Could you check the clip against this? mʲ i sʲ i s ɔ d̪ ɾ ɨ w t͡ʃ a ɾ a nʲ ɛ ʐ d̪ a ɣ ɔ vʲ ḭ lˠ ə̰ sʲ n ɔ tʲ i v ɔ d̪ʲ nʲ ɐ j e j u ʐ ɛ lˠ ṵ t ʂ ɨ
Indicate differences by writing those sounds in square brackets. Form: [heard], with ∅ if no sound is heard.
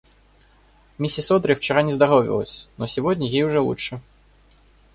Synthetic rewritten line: mʲ i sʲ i s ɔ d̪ ɾ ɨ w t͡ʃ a ɾ a nʲ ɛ [z] d̪ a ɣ ɔ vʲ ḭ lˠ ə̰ sʲ n ɔ [sʲ] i v ɔ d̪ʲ nʲ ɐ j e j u ʐ ɛ lˠ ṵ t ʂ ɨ